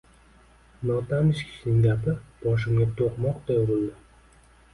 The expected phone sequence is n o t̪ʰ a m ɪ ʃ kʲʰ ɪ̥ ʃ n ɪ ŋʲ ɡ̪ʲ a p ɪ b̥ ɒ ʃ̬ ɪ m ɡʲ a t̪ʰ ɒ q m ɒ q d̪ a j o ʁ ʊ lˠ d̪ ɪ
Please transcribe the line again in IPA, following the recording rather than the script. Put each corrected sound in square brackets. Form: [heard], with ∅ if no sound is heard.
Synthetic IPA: n [ɒ] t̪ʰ a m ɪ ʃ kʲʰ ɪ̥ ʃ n ɪ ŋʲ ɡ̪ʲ a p ɪ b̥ ɒ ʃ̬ ɪ m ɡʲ a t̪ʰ [o] q m ɒ q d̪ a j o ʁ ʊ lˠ d̪ ɪ